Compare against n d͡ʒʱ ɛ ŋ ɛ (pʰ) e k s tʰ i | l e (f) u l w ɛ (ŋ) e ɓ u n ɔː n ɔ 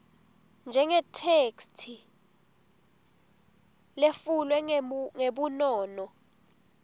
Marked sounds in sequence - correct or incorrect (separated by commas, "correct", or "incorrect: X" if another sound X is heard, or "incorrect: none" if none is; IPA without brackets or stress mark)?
incorrect: tʰ, correct, correct